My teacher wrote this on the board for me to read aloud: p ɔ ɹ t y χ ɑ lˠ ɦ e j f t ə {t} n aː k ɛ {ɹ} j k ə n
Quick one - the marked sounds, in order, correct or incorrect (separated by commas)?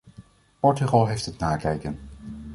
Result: correct, incorrect